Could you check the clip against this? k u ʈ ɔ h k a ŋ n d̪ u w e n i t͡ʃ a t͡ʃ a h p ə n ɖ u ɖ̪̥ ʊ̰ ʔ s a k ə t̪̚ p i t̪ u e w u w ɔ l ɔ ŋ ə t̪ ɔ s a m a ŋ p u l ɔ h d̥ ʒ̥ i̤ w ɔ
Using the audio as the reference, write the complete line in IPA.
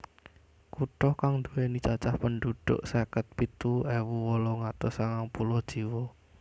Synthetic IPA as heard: k u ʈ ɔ h k a ŋ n d̪ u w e n i t͡ʃ a t͡ʃ a h p ə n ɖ u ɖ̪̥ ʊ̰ ʔ s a k ə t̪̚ p i t̪ u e w u w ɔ l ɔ ŋ a t̪ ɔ s a ŋ a ŋ p u l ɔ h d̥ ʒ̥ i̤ w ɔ